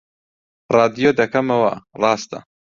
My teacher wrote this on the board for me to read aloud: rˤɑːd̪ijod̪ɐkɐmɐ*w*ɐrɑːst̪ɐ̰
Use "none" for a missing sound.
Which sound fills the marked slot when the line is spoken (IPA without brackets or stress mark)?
w